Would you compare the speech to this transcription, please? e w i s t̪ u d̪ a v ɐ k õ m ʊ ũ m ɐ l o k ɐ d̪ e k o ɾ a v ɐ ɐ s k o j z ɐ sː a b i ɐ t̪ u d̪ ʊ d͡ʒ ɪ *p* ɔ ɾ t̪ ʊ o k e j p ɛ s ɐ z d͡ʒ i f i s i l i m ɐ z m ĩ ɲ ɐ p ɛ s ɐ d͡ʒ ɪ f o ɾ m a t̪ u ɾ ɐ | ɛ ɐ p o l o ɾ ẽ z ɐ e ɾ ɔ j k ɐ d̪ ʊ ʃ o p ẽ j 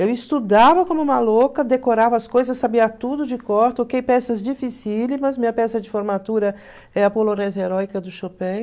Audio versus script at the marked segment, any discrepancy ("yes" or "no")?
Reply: yes